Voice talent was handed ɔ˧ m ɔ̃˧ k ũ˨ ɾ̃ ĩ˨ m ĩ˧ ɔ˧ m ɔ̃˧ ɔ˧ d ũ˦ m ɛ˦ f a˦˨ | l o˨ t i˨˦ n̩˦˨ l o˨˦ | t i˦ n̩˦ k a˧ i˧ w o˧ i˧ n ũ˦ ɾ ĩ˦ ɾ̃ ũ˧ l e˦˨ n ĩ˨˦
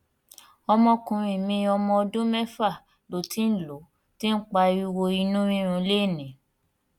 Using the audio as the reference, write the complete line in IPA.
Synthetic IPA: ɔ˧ m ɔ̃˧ k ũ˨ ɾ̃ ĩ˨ m ĩ˧ ɔ˧ m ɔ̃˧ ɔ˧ d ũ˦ m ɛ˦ f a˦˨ | l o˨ t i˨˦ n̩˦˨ l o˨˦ | t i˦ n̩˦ k͡p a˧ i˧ w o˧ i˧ n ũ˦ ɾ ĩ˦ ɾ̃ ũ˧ l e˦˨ n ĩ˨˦